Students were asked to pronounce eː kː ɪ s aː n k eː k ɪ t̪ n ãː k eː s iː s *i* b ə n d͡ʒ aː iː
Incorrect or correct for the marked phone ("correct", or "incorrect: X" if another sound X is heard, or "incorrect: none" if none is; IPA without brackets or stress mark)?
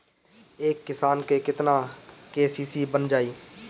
incorrect: iː